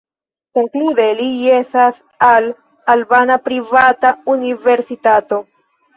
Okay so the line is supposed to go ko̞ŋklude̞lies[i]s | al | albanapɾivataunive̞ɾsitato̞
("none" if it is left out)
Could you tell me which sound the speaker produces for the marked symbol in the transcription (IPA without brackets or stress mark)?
a